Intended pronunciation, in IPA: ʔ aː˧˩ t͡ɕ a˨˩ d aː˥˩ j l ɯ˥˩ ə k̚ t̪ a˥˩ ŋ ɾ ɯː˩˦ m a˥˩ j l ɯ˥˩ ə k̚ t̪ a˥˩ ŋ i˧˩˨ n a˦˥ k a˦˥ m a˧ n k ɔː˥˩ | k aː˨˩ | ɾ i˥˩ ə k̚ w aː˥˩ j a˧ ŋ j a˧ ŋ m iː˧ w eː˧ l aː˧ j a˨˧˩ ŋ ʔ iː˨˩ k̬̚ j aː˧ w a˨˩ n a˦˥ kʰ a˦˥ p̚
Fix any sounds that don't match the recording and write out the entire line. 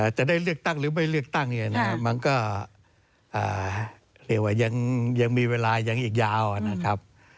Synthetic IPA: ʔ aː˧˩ t͡ɕ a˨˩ d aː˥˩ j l ɯ˥˩ ə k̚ t̪ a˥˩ ŋ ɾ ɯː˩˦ m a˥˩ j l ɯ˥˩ ə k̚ t̪ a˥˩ ŋ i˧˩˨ n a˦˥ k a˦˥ m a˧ n k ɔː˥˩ | ʔ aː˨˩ | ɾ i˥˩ ə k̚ w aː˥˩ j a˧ ŋ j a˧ ŋ m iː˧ w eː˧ l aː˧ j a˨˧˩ ŋ ʔ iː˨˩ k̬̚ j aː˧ w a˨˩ n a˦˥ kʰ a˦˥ p̚